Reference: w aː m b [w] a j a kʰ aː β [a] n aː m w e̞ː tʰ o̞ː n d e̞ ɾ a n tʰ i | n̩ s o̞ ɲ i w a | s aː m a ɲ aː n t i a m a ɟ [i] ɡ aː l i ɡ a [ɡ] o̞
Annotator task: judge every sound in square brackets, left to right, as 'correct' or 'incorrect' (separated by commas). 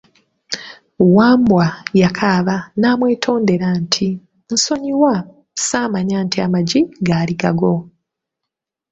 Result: correct, correct, correct, correct